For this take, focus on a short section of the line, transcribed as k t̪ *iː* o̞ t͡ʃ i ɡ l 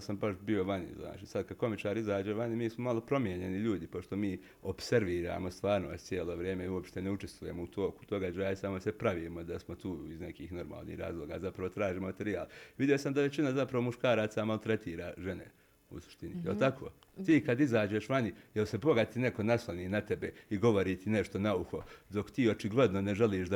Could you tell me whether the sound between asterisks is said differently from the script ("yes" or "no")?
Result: no